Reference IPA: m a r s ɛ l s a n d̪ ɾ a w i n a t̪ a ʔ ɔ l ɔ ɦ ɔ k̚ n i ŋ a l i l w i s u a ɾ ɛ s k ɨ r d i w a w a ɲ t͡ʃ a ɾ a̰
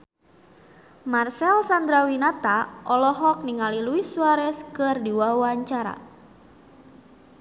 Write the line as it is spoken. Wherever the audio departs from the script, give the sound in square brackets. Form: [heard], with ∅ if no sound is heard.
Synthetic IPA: m a r s ɛ l s a n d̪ ɾ a w i n a t̪ a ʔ ɔ l ɔ ɦ ɔ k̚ n i ŋ a l i l [u] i s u a ɾ ɛ s k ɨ r d i w a w a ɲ t͡ʃ a ɾ a̰

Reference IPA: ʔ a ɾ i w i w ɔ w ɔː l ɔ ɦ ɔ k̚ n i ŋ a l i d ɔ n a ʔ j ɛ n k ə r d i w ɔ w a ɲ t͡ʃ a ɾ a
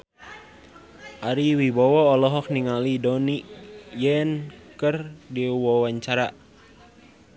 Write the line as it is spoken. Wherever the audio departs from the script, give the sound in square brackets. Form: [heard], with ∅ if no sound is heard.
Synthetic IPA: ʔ a ɾ i w i [b] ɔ w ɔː l ɔ ɦ ɔ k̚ n i ŋ a l i d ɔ n [i] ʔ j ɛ n k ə r d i w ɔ w a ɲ t͡ʃ a ɾ a

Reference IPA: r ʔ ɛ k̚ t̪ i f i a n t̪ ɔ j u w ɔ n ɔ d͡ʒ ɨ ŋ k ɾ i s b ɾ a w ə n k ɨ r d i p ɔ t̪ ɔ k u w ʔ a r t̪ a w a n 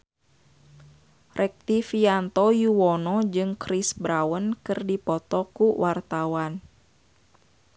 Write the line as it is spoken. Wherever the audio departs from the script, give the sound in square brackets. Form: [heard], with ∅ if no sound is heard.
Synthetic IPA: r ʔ ɛ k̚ t̪ i f i a n t̪ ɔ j u w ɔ n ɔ d͡ʒ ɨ ŋ k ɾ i s b ɾ a w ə n k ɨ r d i p ɔ t̪ ɔ k u w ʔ a r t̪ a w a n

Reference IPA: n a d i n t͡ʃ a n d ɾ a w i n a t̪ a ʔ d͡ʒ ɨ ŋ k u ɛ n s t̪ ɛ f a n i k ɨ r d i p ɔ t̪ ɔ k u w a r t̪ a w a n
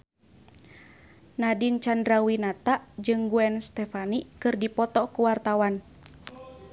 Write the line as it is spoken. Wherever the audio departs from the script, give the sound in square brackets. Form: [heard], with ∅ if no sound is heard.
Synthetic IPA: n a d i n t͡ʃ a n d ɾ a w i n a t̪ a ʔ d͡ʒ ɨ ŋ [ɡ] u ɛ n s t̪ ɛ f a n i k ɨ r d i p ɔ t̪ ɔ k u w a r t̪ a w a n

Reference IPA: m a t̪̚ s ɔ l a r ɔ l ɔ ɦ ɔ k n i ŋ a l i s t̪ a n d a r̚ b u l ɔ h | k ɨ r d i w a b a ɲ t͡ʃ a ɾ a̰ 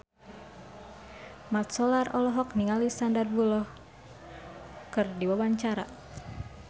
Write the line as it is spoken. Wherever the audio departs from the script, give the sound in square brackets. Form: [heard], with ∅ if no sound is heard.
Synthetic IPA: m a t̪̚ s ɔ l a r ɔ l ɔ ɦ ɔ k n i ŋ a l i s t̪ a n d a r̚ b u l ɔ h | k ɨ r d i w a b a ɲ t͡ʃ a ɾ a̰

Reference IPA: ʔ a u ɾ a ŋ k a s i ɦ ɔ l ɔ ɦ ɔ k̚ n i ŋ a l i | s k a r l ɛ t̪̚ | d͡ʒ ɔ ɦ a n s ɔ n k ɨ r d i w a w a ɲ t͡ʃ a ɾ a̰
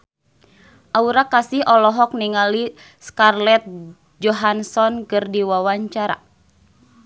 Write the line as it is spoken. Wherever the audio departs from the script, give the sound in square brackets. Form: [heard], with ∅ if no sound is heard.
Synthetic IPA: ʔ a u ɾ a [∅] k a s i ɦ ɔ l ɔ ɦ ɔ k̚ n i ŋ a l i | s k a r l ɛ t̪̚ | d͡ʒ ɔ ɦ a n s ɔ n k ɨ r d i w a w a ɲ t͡ʃ a ɾ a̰

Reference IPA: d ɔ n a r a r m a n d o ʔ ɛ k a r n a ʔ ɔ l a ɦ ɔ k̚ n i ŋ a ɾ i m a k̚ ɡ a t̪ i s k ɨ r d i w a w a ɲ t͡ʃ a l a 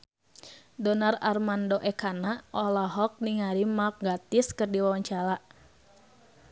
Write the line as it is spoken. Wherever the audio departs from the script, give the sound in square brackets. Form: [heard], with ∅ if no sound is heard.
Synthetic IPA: d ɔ n a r a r m a n d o ʔ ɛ k a [∅] n a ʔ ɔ l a ɦ ɔ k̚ n i ŋ a ɾ i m a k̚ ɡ a t̪ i s k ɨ r d i w a w a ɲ t͡ʃ a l a

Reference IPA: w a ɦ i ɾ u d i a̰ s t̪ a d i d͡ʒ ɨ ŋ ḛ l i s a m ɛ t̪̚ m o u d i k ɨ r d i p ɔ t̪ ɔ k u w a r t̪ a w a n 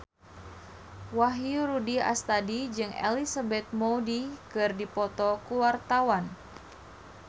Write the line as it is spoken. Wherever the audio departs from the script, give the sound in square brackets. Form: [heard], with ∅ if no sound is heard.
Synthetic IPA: w a ɦ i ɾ u d i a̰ s t̪ a d i d͡ʒ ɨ ŋ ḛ l i s a [b] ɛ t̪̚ m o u d i k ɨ r d i p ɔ t̪ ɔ k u w a r t̪ a w a n

